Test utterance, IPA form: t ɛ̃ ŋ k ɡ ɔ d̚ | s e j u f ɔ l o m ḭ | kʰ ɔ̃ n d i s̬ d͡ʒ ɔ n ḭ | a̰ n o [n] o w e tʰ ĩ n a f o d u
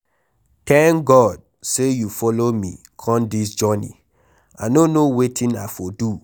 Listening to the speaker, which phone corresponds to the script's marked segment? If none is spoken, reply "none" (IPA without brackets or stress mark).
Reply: n